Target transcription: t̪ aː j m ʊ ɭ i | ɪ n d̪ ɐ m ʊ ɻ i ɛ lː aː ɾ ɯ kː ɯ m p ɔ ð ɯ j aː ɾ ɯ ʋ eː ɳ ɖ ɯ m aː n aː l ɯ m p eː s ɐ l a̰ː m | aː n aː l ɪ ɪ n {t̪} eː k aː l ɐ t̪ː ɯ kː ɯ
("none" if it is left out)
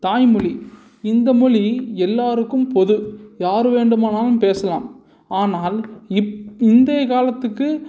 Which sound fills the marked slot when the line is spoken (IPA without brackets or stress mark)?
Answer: d̪